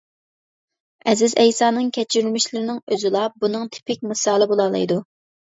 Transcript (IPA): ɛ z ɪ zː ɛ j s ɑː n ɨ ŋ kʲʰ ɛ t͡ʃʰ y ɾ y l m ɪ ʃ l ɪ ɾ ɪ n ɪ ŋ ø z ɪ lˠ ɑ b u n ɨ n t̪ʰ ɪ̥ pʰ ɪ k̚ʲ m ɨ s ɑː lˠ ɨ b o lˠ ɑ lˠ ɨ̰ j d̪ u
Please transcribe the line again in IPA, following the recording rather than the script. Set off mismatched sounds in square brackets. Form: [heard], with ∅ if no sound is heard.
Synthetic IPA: ɛ z ɪ [z] ɛ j s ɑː n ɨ ŋ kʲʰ ɛ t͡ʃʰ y ɾ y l m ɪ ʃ l ɪ ɾ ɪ n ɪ ŋ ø z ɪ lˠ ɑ b u n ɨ [ŋ] t̪ʰ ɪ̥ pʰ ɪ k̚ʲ m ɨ s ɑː lˠ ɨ b o lˠ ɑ lˠ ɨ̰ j d̪ u